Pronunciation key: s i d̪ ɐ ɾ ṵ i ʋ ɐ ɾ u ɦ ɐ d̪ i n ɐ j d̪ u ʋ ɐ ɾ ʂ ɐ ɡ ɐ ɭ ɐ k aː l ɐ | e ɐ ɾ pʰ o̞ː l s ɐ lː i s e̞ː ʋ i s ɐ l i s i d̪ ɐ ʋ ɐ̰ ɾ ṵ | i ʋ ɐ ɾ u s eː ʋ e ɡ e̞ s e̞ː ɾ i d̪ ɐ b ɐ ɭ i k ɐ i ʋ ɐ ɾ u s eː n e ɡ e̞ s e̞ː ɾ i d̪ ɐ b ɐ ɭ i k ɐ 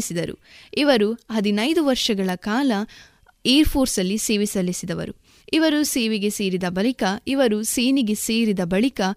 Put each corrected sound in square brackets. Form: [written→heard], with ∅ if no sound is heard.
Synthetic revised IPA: s i d̪ ɐ ɾ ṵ i ʋ ɐ ɾ u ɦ ɐ d̪ i n ɐ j d̪ u ʋ ɐ ɾ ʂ ɐ ɡ ɐ ɭ ɐ k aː l ɐ | e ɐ ɾ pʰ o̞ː [l→ɾ] s ɐ lː i s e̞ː ʋ i s ɐ l i s i d̪ ɐ ʋ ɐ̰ ɾ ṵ | i ʋ ɐ ɾ u s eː ʋ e ɡ e̞ s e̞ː ɾ i d̪ ɐ b ɐ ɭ i k ɐ i ʋ ɐ ɾ u s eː n [e→i] ɡ e̞ s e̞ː ɾ i d̪ ɐ b ɐ ɭ i k ɐ